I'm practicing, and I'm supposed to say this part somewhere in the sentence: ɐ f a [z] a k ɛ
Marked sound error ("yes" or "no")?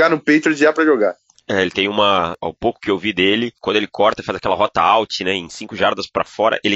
no